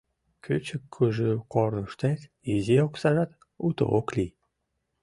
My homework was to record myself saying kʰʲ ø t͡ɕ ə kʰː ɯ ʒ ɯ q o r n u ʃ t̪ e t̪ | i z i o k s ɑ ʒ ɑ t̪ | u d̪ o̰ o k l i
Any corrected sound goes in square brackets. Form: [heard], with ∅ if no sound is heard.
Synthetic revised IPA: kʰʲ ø t͡ɕ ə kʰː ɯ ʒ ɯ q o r n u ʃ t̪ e t̪ | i z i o k s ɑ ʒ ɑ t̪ | u [t̪] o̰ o k l i